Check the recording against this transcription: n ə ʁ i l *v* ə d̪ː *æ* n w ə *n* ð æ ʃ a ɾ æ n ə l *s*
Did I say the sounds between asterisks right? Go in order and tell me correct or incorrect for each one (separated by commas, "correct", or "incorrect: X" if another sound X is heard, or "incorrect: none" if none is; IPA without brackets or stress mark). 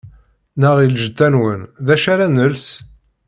incorrect: ʒ, correct, correct, correct